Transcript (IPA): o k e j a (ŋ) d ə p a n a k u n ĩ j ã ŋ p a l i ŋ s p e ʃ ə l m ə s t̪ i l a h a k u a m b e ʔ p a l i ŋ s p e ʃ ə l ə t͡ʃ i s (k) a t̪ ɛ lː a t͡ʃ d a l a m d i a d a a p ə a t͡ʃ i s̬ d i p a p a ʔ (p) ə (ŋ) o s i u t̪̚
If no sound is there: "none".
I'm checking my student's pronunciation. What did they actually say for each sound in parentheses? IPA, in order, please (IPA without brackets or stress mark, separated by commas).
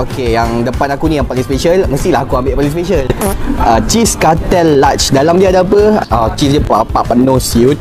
ŋ, k, p, n